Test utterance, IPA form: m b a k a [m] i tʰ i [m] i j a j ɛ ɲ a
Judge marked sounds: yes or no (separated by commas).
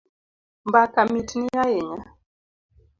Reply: yes, no